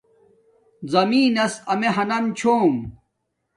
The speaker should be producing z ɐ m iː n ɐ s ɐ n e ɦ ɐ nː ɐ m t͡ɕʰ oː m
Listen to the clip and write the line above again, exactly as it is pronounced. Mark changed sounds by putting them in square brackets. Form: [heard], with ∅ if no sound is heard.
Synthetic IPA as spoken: z ɐ m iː n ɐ s ɐ [m] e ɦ ɐ [n] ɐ m t͡ɕʰ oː m